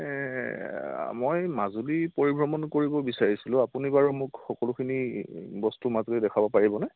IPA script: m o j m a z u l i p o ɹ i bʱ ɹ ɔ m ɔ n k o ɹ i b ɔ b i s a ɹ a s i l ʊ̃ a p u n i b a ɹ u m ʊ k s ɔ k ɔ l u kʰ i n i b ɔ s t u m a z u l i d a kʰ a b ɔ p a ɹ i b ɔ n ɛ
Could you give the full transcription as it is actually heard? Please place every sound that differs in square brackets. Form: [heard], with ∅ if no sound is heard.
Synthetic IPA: m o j m a z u l i p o ɹ i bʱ ɹ ɔ m ɔ n k o ɹ i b ɔ b i s a ɹ [i] s i l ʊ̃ a p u n i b a ɹ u m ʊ k [x] ɔ k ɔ l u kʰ i n i b ɔ s t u m a z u l i d [ɛ] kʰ a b ɔ p a ɹ i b ɔ n ɛ